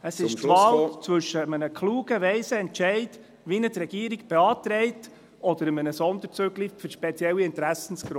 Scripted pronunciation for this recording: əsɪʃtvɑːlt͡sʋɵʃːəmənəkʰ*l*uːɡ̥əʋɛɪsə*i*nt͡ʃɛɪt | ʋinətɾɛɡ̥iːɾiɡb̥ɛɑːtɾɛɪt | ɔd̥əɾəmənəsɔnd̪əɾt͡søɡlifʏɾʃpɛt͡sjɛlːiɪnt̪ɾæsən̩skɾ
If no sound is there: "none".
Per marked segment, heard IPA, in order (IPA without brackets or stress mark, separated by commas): l, ɛ